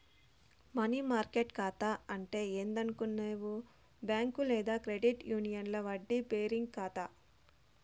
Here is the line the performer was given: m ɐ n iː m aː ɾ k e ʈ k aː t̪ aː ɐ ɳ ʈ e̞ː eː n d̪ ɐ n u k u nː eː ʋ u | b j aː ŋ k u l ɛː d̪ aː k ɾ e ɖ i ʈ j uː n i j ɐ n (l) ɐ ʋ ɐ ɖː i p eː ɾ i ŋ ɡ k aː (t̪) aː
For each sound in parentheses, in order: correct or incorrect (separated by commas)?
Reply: correct, correct